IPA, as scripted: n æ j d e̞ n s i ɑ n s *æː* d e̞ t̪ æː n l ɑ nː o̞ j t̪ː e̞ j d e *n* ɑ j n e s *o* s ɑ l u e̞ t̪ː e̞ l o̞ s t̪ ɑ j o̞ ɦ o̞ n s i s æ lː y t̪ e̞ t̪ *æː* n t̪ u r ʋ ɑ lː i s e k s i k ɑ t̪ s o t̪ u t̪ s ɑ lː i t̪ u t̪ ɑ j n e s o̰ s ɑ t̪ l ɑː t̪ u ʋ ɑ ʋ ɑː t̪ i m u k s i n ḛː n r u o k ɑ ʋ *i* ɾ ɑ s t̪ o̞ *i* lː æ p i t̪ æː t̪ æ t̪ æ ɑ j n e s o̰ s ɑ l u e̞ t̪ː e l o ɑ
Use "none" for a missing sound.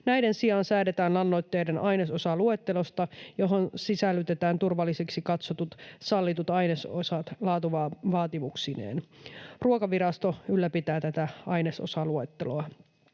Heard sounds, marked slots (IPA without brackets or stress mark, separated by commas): æː, n, o, æː, i, y